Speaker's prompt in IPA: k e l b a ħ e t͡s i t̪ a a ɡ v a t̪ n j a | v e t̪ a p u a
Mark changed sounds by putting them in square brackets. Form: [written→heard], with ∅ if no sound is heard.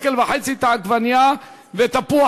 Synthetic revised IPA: k e l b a ħ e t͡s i t̪ a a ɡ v a [t̪→∅] n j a | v e t̪ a p u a